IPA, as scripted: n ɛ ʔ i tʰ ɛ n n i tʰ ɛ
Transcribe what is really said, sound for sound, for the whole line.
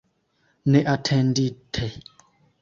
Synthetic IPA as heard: n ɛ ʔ a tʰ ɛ n d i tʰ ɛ